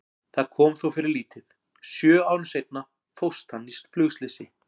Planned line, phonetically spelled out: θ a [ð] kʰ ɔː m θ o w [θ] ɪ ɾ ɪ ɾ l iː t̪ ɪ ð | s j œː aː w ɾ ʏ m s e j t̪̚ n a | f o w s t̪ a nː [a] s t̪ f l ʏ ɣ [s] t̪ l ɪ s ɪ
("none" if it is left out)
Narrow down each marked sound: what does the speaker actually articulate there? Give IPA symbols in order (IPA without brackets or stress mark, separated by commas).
ð, f, i, s